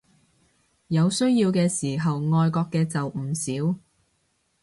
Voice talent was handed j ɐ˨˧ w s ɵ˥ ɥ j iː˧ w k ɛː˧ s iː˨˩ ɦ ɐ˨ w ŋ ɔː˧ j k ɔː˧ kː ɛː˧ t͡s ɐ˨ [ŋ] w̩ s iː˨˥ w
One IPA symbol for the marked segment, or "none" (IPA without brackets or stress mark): none